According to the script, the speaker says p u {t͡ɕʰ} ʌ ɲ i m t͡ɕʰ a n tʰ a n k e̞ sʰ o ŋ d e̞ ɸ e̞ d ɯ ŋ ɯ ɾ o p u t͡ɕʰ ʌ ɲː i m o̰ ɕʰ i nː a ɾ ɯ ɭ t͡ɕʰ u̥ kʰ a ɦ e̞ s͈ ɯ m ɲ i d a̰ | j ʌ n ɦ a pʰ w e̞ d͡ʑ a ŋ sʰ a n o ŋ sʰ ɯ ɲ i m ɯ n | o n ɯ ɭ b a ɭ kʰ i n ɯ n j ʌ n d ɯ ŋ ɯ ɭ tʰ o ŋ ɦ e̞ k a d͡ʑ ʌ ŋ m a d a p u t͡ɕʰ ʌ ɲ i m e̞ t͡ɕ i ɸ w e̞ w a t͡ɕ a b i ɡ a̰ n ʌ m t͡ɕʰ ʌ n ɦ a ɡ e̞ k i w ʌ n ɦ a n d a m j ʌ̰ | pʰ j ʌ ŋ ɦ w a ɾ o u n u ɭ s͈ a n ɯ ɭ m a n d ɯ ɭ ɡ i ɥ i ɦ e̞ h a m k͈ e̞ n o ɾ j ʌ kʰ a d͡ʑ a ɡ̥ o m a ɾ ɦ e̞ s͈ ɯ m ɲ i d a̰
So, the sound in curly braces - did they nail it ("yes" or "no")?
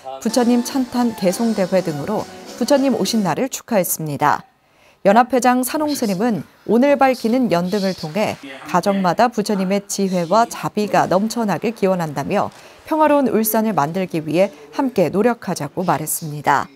yes